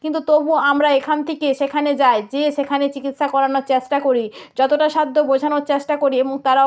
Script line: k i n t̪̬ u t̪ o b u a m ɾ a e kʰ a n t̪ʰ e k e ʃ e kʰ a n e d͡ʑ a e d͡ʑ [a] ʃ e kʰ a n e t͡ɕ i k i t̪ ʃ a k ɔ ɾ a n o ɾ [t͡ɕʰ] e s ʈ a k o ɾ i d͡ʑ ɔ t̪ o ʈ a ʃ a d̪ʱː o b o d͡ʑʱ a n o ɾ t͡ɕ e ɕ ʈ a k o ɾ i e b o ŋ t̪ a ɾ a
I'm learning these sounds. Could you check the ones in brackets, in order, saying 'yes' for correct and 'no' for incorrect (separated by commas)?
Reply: no, no